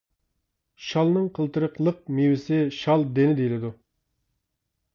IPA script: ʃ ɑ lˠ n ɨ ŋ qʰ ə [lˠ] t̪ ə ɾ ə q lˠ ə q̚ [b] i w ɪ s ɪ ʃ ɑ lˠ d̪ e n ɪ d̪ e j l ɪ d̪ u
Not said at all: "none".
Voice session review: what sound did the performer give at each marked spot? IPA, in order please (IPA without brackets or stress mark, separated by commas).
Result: lˠ, m